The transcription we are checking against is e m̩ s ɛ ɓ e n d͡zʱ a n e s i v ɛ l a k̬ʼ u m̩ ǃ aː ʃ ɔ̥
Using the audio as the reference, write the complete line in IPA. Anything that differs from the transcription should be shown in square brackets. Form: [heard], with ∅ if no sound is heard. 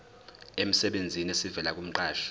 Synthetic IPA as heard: e m̩ s ɛ ɓ e n d͡zʱ [i] n e s i v ɛ l a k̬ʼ u m̩ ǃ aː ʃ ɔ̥

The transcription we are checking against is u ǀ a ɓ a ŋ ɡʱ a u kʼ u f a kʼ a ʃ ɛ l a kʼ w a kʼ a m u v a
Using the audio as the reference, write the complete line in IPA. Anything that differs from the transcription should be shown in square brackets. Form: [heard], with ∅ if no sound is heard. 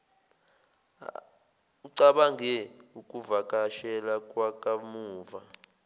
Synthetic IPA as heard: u ǀ a ɓ a ŋ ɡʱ [ɛ] u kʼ u [v] a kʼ a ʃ ɛ l a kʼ w a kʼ a m [uː] v a

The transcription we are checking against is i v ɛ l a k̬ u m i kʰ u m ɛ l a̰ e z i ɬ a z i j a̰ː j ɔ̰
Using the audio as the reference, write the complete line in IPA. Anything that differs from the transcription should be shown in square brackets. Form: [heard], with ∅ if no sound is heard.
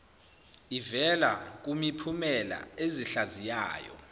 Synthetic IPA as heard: i v ɛ l a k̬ u m i [pʰ] u m ɛ l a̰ e z i ɬ a z i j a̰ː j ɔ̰

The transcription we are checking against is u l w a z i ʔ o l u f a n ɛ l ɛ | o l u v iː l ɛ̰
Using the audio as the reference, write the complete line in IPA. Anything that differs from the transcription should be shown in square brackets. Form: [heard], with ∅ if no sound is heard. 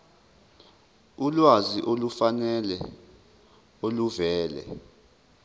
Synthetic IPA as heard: u l w a z i ʔ o l u f a n ɛ l ɛ | o l u v [ɛː] l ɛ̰

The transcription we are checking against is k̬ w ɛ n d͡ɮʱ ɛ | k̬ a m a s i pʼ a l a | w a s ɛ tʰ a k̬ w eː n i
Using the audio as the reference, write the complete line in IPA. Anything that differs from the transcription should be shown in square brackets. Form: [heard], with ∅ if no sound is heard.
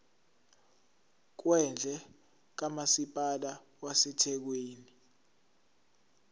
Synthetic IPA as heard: k̬ w ɛ n d͡ɮʱ ɛ | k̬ a m a s i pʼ a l a | w a s ɛ tʰ [ɛ] k̬ w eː n i

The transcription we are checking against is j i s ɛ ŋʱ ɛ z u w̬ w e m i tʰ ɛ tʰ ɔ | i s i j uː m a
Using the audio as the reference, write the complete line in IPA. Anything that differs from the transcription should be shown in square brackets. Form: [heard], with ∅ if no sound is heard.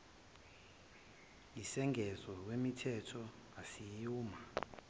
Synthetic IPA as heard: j i s ɛ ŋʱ ɛ z [ɔ] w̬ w e m i tʰ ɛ tʰ ɔ | [a] s i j uː m a

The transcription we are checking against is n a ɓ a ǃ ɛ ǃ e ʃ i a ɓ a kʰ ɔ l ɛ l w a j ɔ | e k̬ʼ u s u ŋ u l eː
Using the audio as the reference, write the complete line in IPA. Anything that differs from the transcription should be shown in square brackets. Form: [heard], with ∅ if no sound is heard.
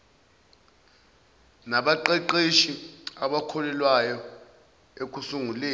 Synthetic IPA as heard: n a ɓ a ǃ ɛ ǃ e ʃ i a ɓ a kʰ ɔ l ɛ l w a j ɔ | e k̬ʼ u s u ŋ u l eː

